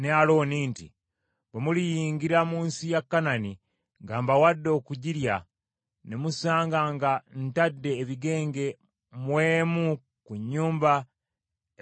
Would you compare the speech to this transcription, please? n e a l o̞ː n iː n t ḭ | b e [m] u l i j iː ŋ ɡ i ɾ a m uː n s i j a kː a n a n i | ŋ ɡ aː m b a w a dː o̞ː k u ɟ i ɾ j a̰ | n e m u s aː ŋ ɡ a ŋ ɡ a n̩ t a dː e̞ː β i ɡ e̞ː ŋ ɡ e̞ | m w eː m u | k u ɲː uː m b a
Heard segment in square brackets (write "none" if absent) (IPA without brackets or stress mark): m